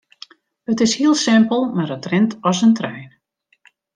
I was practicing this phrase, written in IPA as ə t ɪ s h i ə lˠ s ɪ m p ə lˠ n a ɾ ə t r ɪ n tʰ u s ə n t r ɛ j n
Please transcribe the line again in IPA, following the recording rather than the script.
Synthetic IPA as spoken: ə t ɪ s h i ə lˠ s ɪ m p ə lˠ m a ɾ ə t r ɪ n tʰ ɔ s ə n t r ɛ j n